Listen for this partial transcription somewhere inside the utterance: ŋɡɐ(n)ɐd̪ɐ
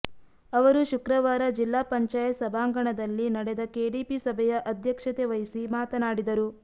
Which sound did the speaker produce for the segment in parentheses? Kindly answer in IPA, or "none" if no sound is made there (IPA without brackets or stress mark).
ɳ